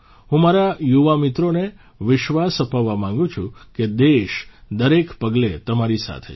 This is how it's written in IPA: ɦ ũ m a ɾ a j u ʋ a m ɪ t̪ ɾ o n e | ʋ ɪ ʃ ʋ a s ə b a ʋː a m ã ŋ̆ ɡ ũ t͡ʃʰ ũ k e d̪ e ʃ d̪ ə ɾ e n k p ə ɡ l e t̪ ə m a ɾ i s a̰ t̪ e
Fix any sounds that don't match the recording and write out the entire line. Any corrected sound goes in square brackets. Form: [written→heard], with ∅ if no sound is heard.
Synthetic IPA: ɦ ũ m a ɾ a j u ʋ a m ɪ t̪ ɾ o n e | ʋ ɪ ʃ ʋ a s ə [b→p] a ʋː a m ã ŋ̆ ɡ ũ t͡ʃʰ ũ k e d̪ e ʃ d̪ ə ɾ e [n→∅] k p ə ɡ l e t̪ ə m a ɾ i s a̰ [t̪→t̪ʰ] e